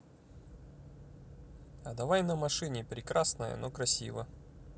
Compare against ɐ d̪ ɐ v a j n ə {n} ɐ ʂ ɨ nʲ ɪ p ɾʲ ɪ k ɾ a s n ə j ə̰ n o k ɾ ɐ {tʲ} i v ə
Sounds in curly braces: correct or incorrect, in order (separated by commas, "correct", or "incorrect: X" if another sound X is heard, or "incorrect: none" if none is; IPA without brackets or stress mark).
incorrect: m, incorrect: sʲ